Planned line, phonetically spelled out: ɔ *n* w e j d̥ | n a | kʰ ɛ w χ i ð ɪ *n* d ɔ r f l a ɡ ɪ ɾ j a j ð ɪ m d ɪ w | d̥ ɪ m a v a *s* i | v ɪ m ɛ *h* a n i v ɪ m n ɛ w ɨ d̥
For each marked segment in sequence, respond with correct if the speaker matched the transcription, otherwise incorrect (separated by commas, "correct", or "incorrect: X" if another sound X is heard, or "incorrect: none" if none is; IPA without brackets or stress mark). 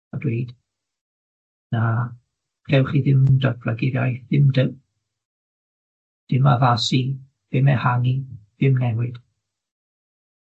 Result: incorrect: d, incorrect: m, correct, correct